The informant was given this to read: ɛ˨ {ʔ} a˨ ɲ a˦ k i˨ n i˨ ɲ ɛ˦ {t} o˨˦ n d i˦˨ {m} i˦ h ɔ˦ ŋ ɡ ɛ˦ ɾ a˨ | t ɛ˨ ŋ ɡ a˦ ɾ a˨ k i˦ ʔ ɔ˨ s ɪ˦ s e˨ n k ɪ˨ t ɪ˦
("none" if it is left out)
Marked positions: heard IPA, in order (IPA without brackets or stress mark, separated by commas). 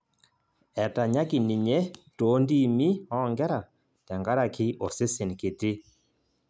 t, t, m